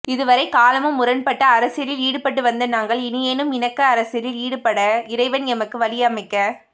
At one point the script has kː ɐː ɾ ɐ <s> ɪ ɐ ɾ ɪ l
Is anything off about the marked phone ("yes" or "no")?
no